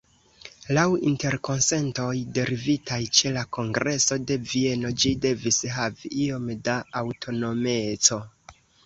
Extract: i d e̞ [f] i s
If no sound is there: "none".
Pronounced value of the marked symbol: v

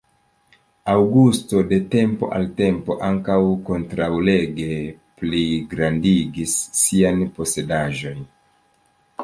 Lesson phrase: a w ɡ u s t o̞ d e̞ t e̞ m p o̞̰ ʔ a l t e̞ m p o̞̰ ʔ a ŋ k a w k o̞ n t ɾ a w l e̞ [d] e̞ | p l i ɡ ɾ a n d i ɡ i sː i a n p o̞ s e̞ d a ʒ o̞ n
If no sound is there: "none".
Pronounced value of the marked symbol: ɡ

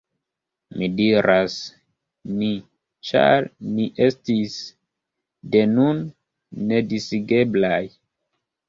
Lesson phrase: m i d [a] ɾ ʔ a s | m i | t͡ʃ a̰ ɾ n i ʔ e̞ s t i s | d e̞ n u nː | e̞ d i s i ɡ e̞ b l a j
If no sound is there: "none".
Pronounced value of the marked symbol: i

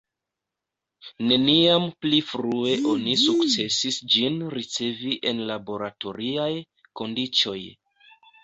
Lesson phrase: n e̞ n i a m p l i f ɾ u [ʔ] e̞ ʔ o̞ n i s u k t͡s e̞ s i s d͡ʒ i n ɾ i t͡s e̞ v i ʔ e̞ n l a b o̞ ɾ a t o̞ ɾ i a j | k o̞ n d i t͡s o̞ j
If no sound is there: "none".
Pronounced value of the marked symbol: none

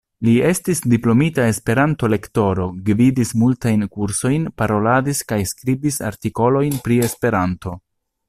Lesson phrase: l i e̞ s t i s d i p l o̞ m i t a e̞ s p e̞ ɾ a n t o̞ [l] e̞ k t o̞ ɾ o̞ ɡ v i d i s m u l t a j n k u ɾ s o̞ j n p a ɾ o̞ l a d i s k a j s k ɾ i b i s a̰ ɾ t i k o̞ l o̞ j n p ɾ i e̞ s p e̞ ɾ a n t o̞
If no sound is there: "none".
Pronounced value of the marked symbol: l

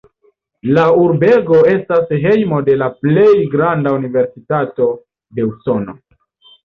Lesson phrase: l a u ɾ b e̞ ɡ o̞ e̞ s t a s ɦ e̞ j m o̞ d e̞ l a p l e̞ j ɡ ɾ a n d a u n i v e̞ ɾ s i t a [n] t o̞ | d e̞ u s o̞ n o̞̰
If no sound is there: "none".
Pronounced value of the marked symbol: none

